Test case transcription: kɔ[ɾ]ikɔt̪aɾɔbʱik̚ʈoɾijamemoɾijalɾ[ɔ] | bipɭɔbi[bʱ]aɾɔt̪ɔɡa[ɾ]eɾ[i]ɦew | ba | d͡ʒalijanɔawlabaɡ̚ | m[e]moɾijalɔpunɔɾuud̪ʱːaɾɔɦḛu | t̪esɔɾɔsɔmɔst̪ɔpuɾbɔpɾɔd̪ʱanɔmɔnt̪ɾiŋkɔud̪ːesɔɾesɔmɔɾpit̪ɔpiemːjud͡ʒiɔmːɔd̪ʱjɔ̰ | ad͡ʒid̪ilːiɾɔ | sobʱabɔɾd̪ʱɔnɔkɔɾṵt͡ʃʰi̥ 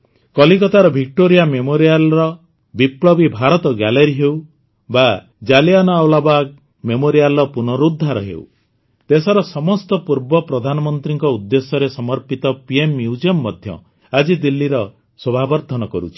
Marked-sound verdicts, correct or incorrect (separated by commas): incorrect, correct, correct, incorrect, correct, correct